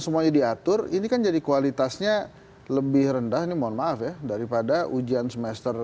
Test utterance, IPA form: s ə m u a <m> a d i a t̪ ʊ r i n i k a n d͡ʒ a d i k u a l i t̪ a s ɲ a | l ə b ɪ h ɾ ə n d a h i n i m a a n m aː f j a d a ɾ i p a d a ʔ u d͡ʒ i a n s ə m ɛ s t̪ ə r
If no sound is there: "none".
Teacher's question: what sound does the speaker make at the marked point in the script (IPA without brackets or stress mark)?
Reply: ɲ